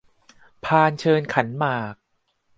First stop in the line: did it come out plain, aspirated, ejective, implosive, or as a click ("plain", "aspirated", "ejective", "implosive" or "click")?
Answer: aspirated